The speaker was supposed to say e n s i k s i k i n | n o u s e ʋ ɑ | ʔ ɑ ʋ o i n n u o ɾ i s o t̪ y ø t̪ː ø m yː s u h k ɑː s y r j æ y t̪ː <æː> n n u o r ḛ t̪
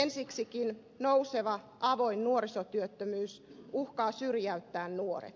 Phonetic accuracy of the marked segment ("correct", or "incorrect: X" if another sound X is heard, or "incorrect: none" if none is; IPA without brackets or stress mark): correct